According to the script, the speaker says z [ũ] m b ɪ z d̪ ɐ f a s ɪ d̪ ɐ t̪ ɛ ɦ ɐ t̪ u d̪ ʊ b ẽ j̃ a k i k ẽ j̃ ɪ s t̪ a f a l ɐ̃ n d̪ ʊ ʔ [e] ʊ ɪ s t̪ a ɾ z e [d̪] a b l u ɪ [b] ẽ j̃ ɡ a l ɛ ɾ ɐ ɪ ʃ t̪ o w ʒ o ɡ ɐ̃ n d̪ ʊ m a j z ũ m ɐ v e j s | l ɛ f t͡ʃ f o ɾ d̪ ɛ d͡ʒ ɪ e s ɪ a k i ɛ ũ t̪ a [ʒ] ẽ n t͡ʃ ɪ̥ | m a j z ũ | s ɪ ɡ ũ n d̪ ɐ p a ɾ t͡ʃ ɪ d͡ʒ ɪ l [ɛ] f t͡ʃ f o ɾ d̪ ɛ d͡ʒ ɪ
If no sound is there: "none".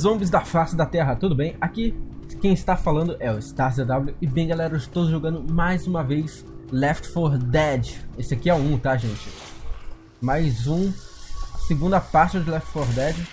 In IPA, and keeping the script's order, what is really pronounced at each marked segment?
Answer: õ, ɛ, d̪, b, ʒ, ɛ

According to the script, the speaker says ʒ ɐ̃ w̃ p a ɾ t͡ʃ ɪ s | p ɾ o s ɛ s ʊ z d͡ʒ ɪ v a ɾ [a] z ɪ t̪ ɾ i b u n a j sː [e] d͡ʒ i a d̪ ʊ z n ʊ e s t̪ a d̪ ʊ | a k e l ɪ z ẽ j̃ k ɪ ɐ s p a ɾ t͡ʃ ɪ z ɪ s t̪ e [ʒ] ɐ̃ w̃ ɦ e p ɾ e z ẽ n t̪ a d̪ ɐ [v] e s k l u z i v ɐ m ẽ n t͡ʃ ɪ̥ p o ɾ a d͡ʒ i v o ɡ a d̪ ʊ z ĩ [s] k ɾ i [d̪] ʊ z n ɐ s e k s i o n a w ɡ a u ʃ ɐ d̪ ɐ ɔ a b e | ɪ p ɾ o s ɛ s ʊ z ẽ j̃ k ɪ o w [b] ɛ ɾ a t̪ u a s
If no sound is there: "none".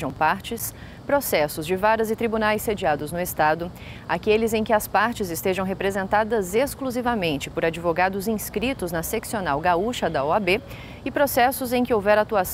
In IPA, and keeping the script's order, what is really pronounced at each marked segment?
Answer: ɐ, e, ʒ, z, s, t̪, v

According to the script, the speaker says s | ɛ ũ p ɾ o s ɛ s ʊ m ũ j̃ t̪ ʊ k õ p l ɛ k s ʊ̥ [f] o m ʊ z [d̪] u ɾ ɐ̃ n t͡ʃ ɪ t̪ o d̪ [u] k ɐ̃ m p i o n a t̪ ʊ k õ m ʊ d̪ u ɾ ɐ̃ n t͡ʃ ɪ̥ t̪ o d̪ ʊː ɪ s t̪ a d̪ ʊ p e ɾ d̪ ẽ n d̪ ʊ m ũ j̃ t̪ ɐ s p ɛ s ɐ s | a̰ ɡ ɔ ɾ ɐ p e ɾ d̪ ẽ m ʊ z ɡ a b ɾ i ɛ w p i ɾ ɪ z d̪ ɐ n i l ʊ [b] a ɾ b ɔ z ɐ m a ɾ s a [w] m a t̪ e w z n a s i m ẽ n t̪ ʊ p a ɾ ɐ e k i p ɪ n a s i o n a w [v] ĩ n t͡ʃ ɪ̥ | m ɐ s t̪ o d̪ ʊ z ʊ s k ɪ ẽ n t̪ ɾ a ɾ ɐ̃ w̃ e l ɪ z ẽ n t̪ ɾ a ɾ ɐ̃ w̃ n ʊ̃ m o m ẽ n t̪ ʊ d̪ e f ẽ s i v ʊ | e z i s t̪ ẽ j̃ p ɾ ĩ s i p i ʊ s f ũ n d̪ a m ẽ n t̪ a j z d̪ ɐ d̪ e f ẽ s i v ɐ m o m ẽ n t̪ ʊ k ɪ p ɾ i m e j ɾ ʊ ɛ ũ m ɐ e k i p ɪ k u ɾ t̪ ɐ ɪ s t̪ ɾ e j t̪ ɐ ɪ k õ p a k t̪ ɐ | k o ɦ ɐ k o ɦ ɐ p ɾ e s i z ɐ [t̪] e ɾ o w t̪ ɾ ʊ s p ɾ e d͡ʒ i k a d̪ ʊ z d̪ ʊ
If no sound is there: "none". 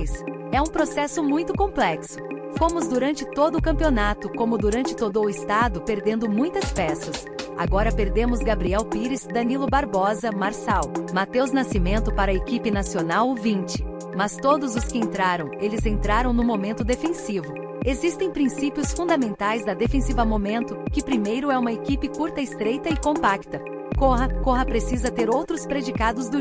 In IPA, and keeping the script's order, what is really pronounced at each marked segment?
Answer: f, d̪, ʊ, b, w, v, t̪

